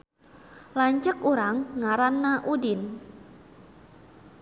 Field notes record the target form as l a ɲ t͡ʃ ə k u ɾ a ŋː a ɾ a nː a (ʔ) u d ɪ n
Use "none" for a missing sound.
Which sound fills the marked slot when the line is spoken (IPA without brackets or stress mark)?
ʔ